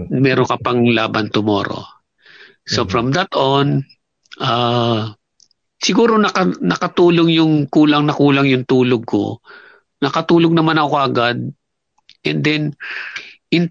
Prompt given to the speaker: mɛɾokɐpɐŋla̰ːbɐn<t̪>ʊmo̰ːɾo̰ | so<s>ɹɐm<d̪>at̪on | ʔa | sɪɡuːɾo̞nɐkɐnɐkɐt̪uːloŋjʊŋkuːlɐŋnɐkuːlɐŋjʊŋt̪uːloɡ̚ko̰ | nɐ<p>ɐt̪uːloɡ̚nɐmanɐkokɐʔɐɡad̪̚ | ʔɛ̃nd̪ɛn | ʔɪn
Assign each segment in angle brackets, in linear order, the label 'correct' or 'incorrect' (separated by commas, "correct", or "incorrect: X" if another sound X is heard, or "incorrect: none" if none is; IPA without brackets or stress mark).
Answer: correct, incorrect: f, correct, incorrect: k